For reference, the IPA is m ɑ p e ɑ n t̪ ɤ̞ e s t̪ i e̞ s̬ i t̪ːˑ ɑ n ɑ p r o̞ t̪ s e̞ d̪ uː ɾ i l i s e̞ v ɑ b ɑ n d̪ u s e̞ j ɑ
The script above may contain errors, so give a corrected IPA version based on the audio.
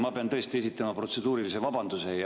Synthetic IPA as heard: m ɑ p e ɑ n t̪ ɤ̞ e s t̪ i e̞ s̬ i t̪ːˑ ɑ m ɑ p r o̞ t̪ s e̞ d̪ uː ɾ i l i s e̞ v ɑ b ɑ n d̪ u s e̞ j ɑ